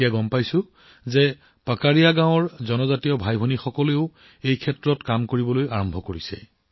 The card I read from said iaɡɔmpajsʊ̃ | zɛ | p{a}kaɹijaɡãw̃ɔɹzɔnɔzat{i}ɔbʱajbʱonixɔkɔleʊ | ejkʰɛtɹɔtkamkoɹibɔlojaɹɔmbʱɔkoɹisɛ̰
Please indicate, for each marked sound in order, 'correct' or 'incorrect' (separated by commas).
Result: correct, correct